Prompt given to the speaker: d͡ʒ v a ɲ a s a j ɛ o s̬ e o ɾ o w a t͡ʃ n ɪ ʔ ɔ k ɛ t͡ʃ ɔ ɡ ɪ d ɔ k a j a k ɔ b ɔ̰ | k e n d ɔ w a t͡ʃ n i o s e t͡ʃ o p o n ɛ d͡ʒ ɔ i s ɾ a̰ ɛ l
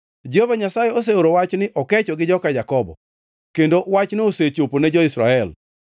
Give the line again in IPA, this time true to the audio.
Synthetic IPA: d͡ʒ v a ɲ a s a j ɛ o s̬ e o ɾ o w a t͡ʃ n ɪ ʔ ɔ k ɛ t͡ʃ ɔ ɡ ɪ d͡ʒ ɔ k a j a k ɔ b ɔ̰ | k e n d o w a t͡ʃ n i o s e t͡ʃ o p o n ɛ d͡ʒ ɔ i s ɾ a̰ ɛ l